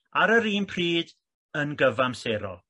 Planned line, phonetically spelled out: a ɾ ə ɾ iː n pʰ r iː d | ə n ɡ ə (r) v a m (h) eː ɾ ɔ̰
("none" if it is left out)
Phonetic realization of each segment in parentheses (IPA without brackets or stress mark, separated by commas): none, s